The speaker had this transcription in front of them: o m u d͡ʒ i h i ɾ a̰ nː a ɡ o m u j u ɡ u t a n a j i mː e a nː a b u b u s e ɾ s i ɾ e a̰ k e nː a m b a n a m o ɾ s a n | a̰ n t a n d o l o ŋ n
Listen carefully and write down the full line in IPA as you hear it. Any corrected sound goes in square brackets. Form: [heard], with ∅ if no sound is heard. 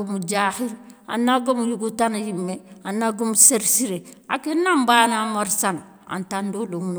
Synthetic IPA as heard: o m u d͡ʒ [a] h i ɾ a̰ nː a ɡ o m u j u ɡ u t a n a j i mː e a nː a [ɡ] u [m] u s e ɾ s i ɾ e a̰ k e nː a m b a n a m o ɾ s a n | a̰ n t a n d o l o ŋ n

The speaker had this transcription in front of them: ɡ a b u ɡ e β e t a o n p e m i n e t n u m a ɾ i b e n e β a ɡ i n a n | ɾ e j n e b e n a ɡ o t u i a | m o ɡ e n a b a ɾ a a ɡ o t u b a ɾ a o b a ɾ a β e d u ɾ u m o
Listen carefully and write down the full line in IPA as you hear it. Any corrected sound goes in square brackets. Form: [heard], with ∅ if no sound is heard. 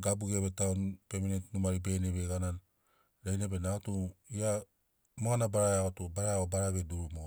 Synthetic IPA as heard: ɡ a b u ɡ e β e t a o n p e m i n e t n u m a ɾ i b e n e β [e] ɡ [a] n a n | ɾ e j n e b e n a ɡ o t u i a | m o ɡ [a] n a b a ɾ a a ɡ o t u b a ɾ a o b a ɾ a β e d u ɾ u m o

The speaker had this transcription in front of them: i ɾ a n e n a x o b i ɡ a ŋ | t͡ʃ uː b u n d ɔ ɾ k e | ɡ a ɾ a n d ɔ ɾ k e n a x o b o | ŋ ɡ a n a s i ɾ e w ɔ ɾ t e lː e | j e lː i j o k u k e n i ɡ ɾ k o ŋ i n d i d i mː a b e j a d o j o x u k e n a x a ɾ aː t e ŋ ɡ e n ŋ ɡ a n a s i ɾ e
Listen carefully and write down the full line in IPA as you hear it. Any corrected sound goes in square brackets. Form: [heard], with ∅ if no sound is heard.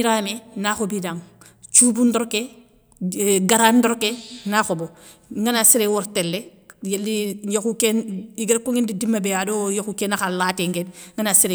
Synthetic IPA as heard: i ɾ a [m] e n a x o b i [d] a ŋ | t͡ʃ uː b u n d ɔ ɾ k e | ɡ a ɾ a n d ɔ ɾ k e n a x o b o | ŋ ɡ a n a s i ɾ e w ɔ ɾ t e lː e | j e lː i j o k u k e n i ɡ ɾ k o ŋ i n d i d i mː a b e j a d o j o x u k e n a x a [l] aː t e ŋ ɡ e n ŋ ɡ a n a s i ɾ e

